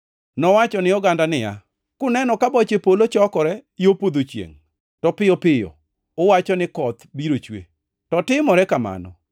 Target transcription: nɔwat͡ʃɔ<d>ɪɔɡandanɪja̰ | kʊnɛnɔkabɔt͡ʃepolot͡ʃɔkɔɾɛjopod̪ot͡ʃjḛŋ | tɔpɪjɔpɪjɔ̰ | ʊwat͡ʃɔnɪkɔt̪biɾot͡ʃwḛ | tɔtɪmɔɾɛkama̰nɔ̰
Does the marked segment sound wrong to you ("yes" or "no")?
yes